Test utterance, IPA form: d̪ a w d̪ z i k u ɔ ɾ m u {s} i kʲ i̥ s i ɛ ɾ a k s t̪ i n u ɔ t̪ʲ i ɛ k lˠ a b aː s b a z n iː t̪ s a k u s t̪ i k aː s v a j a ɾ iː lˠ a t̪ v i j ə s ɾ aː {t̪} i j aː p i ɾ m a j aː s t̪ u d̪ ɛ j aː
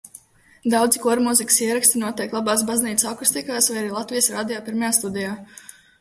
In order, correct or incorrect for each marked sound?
incorrect, incorrect

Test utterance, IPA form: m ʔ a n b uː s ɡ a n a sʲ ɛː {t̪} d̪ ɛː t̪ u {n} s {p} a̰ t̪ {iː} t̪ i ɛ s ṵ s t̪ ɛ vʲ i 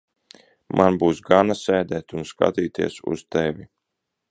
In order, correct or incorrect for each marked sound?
incorrect, correct, incorrect, correct

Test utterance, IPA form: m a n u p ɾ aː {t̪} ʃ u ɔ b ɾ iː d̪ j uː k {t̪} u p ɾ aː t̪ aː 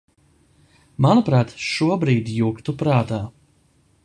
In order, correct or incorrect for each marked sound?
correct, correct

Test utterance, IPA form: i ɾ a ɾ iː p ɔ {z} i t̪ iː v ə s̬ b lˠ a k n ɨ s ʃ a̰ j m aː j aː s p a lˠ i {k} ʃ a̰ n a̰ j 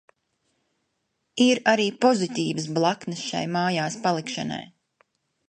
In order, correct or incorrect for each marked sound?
correct, correct

